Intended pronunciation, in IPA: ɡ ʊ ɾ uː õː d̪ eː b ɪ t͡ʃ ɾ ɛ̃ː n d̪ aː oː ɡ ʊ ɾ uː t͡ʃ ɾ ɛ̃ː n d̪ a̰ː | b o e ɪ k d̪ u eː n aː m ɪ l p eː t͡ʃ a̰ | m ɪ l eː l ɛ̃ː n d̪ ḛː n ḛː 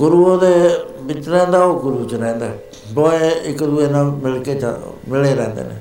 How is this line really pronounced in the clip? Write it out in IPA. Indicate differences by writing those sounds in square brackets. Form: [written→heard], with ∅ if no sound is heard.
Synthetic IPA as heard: ɡ ʊ ɾ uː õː d̪ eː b ɪ t͡ʃ ɾ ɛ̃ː n d̪ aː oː ɡ ʊ ɾ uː t͡ʃ ɾ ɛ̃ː n d̪ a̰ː | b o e ɪ k d̪ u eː n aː m ɪ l [p→k] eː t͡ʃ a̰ | m ɪ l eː [l→ɾ] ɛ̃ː n d̪ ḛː n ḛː